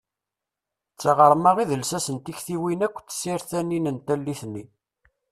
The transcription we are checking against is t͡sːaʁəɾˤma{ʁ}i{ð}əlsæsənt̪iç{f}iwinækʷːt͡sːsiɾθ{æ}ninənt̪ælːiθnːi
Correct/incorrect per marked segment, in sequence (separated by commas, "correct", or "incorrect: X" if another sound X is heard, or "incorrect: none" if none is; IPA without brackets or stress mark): correct, correct, incorrect: θ, correct